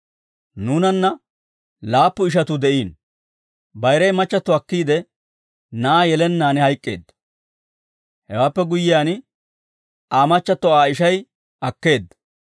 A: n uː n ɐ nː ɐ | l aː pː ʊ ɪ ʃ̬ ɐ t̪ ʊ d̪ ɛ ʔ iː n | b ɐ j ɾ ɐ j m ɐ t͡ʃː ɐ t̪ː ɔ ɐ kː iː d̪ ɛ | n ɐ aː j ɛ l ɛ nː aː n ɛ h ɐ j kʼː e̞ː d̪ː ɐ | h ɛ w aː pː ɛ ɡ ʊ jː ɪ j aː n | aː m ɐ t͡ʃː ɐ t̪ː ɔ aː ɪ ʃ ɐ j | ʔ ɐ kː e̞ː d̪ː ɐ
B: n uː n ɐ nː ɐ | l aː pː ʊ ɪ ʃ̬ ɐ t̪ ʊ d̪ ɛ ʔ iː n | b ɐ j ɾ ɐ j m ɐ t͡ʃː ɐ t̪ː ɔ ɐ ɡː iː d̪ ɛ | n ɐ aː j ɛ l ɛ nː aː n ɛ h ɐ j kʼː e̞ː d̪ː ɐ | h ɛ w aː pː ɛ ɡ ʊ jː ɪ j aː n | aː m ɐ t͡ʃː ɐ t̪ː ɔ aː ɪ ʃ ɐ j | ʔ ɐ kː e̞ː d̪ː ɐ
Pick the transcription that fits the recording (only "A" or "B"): A